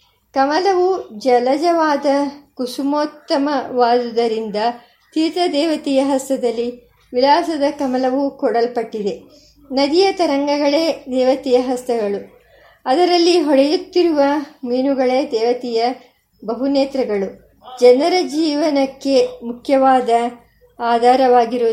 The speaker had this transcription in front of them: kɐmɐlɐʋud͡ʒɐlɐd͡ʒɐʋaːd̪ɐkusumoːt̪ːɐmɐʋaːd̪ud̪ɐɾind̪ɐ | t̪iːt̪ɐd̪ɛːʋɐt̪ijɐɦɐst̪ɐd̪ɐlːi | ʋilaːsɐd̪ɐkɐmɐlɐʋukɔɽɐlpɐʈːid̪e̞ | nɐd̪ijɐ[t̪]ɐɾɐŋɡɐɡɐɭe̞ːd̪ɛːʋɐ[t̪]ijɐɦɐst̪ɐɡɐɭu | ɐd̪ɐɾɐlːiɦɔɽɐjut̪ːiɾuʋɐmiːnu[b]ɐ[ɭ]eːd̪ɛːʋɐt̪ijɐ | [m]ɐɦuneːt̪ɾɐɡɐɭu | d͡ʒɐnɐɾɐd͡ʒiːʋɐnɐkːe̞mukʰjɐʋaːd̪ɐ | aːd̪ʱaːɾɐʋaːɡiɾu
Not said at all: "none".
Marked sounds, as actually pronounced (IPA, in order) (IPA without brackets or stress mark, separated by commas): t̪, t̪, ɡ, ɭ, b